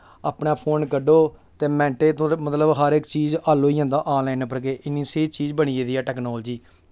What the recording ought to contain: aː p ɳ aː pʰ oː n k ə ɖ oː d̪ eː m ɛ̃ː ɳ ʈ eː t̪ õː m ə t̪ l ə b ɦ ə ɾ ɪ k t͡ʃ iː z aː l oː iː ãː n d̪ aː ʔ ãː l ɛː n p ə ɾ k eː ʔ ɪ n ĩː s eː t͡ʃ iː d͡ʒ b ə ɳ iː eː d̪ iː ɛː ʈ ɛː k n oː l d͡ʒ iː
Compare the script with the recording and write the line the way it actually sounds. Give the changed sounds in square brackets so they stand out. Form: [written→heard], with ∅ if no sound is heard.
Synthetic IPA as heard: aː p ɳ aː pʰ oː n k ə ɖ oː [d̪→t̪] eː m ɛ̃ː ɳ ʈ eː t̪ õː m ə t̪ l ə b ɦ ə ɾ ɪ k t͡ʃ iː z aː l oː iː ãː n d̪ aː ʔ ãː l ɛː n p ə ɾ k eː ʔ ɪ n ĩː s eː t͡ʃ iː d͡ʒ b ə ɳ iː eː d̪ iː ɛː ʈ ɛː k n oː l d͡ʒ iː